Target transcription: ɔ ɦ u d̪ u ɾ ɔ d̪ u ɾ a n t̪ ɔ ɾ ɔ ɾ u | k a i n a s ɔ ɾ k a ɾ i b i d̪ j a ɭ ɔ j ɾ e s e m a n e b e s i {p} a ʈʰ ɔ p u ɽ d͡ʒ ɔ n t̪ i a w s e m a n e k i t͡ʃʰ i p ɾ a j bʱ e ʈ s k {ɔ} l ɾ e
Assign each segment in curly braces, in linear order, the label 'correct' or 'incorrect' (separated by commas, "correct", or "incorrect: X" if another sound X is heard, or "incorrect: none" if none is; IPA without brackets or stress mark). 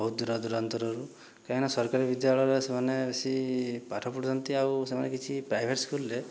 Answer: correct, incorrect: u